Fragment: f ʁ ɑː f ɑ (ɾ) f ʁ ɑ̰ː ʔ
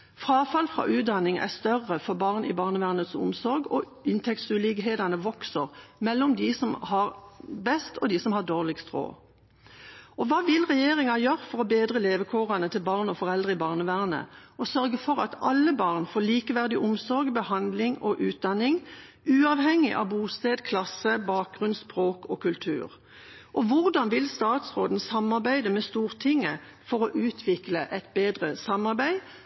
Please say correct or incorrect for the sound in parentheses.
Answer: incorrect